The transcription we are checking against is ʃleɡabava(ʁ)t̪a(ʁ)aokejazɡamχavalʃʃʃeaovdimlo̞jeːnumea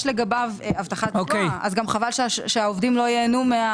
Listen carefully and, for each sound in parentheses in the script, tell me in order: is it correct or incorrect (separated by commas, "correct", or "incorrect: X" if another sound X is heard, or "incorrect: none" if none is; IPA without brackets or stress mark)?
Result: incorrect: v, incorrect: χ